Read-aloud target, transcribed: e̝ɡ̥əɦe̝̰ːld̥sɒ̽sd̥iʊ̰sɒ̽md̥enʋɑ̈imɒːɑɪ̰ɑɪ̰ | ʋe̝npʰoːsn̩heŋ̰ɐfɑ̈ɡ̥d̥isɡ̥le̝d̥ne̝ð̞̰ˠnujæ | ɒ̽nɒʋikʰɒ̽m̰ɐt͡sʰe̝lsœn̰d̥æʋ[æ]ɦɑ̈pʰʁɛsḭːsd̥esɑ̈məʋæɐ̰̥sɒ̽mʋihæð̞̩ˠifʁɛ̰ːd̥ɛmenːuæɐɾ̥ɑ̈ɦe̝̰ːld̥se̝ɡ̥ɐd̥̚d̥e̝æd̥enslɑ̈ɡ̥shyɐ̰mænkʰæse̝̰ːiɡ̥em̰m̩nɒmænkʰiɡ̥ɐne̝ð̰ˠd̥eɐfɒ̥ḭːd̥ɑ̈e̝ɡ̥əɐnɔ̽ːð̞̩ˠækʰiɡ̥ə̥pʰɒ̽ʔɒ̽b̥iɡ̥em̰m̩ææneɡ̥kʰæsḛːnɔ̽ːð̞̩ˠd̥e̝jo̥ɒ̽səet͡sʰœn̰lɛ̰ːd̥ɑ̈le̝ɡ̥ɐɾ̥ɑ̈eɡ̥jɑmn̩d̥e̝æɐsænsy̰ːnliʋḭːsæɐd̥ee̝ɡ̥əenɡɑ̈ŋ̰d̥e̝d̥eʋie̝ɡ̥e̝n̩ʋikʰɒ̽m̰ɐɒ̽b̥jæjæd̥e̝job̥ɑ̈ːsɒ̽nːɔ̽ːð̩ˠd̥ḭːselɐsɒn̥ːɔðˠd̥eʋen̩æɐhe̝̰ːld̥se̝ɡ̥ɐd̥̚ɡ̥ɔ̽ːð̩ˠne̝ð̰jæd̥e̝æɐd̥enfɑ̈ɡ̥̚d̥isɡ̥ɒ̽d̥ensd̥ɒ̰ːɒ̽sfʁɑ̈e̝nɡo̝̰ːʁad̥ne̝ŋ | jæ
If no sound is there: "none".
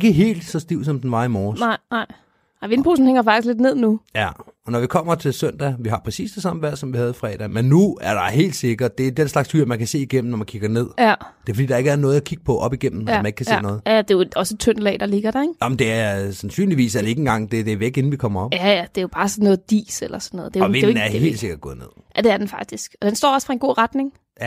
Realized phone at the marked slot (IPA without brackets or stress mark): i